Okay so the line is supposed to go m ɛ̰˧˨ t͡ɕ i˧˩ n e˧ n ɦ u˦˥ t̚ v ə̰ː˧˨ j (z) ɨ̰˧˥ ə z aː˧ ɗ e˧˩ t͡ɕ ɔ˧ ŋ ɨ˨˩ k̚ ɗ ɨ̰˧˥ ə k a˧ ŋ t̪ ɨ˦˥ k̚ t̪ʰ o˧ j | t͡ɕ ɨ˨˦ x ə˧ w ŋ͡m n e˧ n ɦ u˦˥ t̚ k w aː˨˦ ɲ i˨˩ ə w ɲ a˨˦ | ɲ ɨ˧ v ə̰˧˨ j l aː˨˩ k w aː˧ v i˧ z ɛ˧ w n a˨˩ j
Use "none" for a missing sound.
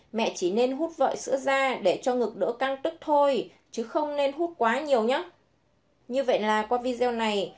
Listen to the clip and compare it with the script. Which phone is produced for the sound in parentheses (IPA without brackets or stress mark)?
s